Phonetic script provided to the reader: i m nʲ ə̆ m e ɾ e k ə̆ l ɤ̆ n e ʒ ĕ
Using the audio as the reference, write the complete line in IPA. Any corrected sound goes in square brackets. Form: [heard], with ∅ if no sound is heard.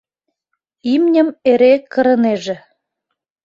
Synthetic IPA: i m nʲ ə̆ m e ɾ e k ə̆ [ɾ] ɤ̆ n e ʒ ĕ